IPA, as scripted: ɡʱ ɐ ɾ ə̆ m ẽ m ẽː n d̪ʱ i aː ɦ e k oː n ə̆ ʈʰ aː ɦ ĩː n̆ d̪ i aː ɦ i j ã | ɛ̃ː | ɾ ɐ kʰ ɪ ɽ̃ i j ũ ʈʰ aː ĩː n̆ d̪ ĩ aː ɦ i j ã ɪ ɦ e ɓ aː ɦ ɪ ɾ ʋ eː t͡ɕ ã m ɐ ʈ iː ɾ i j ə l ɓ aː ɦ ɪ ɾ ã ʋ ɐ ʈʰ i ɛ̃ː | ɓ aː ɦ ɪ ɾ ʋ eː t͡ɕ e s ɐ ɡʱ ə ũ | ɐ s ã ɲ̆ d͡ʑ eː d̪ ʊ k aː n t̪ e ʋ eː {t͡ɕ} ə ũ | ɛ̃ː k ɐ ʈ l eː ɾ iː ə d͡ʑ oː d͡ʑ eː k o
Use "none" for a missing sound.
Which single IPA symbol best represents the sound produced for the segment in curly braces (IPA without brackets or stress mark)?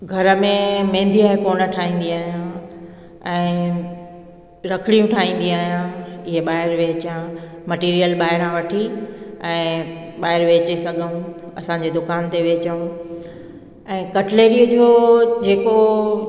t͡ɕ